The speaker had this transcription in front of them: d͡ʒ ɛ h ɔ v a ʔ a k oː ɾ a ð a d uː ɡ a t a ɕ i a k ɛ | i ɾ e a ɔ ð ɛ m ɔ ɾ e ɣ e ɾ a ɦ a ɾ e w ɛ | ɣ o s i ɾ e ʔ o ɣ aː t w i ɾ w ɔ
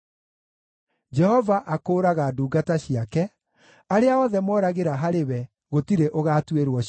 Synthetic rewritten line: d͡ʒ ɛ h ɔ v a ʔ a k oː ɾ a ɣ a d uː ɡ a t a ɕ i a k ɛ | a ɾ e a ɔ ð ɛ m ɔ ɾ a ɣ e ɾ a ɦ a ɾ e w ɛ | ɣ o t i ɾ e ʔ o ɣ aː t w e ɾ w ɔ